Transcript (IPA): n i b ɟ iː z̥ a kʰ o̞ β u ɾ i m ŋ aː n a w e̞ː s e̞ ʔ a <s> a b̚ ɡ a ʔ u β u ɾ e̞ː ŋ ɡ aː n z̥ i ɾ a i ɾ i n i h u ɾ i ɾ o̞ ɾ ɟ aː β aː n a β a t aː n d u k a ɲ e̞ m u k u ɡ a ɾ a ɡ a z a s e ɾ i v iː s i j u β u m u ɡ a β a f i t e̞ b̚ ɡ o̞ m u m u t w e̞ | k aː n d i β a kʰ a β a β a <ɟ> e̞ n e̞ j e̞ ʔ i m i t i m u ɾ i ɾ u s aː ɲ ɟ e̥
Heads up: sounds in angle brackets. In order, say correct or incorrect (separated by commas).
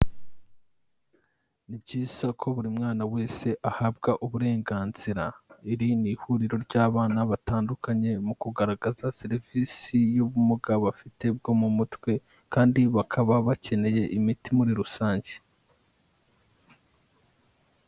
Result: incorrect, incorrect